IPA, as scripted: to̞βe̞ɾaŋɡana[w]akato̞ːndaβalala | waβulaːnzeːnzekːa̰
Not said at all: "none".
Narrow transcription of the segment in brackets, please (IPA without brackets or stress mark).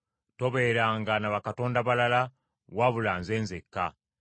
β